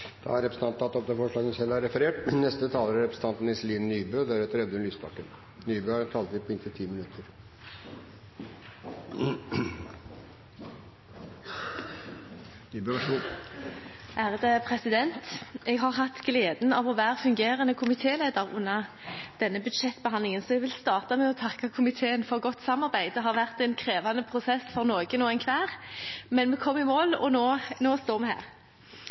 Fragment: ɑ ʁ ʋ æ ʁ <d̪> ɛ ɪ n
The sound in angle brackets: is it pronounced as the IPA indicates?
no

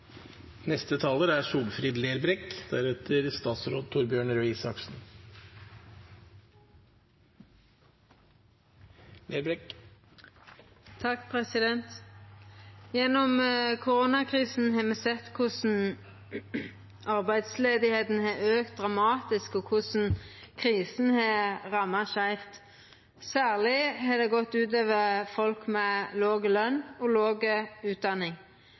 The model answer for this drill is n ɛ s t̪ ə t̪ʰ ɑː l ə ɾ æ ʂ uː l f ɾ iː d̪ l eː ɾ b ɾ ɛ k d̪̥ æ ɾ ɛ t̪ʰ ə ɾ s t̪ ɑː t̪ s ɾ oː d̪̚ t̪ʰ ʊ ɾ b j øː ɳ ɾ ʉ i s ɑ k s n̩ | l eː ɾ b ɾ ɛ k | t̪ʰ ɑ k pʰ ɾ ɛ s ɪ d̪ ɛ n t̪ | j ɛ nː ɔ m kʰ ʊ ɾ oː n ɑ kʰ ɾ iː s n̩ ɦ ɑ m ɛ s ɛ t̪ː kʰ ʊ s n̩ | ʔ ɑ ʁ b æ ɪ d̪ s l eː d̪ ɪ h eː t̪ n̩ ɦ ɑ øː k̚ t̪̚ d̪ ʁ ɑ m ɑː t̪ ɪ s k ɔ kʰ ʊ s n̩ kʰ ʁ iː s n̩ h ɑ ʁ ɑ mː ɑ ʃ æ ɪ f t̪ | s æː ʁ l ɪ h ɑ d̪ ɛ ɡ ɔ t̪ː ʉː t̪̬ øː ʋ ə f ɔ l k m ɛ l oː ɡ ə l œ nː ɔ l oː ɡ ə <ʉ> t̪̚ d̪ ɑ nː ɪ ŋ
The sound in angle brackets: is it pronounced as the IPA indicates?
no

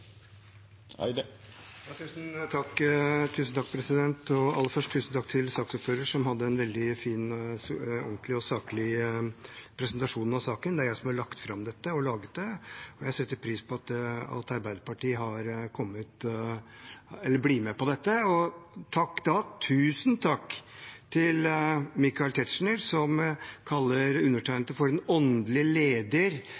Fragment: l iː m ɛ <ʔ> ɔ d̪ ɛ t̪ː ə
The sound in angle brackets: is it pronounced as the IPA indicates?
no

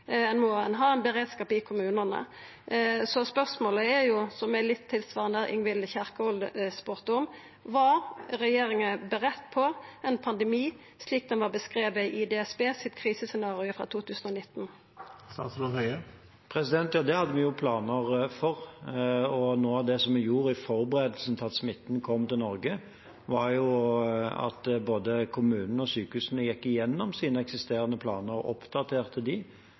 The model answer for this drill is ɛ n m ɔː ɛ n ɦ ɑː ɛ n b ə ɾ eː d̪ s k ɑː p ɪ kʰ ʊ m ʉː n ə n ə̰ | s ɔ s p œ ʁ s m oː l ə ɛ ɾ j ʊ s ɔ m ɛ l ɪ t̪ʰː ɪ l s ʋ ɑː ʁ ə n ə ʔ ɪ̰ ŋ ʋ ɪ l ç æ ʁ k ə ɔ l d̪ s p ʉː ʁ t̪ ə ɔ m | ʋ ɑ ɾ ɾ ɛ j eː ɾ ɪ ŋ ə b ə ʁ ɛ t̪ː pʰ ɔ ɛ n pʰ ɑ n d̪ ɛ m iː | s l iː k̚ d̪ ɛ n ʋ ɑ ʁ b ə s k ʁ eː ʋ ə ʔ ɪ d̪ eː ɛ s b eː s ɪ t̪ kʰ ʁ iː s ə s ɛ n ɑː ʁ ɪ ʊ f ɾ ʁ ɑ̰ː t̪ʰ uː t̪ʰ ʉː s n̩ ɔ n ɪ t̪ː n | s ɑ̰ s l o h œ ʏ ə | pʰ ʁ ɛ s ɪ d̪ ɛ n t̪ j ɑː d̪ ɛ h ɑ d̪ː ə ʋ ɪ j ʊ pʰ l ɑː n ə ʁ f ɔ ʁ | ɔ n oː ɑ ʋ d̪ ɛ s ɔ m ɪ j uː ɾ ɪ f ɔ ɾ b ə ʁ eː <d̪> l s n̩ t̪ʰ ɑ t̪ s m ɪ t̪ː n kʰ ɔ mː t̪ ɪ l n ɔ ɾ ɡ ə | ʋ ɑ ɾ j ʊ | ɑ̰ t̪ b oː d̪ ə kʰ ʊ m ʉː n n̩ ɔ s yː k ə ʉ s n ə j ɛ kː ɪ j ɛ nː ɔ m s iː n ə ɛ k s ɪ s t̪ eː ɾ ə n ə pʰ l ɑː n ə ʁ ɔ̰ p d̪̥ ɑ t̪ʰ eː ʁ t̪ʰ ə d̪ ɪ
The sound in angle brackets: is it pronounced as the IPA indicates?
yes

